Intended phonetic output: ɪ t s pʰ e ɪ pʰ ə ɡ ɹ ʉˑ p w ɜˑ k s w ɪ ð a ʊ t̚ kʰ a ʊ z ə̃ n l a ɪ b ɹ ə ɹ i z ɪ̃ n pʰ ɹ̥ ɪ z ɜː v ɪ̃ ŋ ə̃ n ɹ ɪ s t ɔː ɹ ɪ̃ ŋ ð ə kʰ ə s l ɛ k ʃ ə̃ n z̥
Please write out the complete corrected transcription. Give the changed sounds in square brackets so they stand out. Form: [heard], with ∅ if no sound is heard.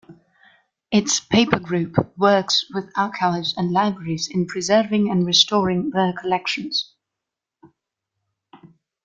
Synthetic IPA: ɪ t s pʰ e ɪ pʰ ə ɡ ɹ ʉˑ p w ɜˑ k s w ɪ ð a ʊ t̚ kʰ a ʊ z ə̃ n l a ɪ b ɹ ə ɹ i z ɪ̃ n pʰ ɹ̥ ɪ z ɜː v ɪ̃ ŋ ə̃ n ɹ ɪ s t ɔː ɹ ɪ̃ ŋ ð ə kʰ ə [∅] l ɛ k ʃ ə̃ n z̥